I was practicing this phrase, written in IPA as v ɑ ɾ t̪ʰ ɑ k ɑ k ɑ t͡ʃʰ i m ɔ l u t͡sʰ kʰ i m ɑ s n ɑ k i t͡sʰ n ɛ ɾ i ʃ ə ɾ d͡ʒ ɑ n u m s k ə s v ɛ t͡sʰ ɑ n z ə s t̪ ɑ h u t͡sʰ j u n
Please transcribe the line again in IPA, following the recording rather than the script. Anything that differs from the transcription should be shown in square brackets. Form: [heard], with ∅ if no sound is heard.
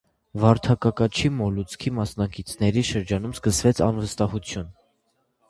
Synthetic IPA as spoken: v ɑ ɾ t̪ʰ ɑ k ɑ k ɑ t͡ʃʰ i m ɔ l u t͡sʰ kʰ i m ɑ s n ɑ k i t͡sʰ n ɛ ɾ i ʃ ə ɾ d͡ʒ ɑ n u m s k ə s v ɛ t͡sʰ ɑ n [v] ə s t̪ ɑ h u t͡sʰ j u n